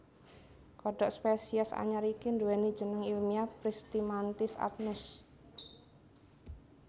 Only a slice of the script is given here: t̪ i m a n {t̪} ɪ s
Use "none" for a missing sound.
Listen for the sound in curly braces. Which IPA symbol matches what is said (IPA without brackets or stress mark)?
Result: t̪